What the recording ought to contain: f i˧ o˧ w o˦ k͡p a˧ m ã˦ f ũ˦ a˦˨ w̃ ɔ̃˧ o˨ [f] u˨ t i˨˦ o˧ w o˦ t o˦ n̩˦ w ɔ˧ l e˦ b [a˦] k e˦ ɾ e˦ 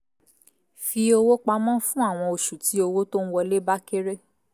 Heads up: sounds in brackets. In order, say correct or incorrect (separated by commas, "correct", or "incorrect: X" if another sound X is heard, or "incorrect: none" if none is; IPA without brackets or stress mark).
incorrect: ʃ, correct